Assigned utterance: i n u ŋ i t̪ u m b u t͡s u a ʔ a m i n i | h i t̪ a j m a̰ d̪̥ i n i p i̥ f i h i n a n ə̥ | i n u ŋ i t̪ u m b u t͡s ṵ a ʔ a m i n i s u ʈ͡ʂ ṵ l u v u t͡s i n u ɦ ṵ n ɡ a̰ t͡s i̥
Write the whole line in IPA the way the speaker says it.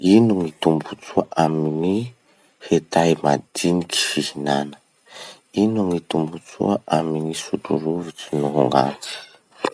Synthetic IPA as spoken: i n u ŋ i t̪ u m b u t͡s u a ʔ a m i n i | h e t̪ a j m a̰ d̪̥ i n i k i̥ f i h i n a n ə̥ | i n u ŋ i t̪ u m b u t͡s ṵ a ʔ a m i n i s u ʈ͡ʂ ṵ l u v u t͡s i n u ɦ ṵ ŋ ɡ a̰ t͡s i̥